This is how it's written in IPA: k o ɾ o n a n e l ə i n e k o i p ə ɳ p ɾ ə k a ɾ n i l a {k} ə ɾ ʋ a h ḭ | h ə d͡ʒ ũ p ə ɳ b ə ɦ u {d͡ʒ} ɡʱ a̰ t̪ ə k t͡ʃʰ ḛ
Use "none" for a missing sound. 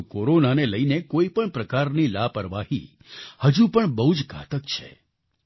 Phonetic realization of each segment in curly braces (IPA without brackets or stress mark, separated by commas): p, d͡ʒ